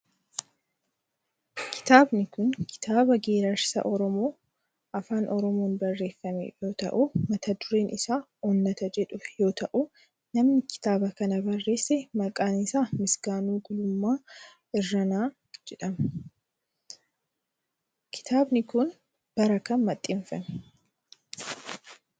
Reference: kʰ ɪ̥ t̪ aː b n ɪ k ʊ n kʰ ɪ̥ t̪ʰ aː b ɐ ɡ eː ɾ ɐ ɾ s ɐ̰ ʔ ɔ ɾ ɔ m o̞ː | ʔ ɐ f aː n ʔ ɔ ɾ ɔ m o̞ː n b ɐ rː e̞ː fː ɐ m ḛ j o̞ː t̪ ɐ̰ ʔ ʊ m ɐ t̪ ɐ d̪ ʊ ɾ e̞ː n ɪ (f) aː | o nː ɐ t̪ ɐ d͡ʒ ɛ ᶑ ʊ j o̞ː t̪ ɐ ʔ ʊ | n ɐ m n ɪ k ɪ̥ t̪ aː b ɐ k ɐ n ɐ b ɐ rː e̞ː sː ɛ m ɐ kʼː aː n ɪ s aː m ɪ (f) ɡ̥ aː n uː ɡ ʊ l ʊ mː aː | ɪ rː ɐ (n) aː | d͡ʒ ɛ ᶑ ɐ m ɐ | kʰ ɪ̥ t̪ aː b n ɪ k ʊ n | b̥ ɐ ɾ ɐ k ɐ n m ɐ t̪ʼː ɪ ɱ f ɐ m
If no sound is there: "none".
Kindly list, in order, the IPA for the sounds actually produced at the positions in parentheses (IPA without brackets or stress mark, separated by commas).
s, s, n